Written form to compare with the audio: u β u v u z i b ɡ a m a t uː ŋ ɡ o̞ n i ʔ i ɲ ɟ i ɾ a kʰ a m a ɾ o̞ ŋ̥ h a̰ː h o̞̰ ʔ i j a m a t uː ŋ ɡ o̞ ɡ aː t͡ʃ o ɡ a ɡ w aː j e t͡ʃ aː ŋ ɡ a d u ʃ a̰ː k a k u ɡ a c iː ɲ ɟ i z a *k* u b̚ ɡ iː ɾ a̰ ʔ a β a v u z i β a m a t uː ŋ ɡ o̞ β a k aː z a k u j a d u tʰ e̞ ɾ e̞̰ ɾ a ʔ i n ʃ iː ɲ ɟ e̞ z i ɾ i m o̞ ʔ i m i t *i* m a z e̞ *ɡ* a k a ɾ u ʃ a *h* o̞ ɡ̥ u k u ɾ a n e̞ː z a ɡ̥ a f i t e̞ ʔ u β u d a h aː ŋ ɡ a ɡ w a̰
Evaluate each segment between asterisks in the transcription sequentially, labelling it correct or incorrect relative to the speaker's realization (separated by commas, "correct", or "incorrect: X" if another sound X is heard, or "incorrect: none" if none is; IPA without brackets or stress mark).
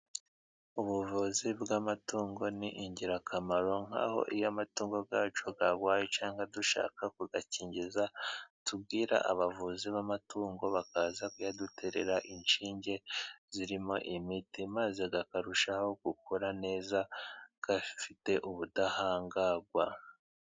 incorrect: t, correct, correct, correct